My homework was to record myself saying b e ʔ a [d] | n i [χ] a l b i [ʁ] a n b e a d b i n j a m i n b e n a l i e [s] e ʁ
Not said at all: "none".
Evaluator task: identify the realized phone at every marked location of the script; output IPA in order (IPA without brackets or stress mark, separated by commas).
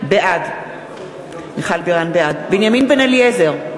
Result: d, χ, ʁ, z